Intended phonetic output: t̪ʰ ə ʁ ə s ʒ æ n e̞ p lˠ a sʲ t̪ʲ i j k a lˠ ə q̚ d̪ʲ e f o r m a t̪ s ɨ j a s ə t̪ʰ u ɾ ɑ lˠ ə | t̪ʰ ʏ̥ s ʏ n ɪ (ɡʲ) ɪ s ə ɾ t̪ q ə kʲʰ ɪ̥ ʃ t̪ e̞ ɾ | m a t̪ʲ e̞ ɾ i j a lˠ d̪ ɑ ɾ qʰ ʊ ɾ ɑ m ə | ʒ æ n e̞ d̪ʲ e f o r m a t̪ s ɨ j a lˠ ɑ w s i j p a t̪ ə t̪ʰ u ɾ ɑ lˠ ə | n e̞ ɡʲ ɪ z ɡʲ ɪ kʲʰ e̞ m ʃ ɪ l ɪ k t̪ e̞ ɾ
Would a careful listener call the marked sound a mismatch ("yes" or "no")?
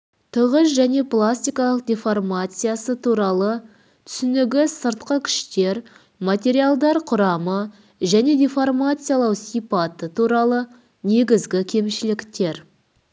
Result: no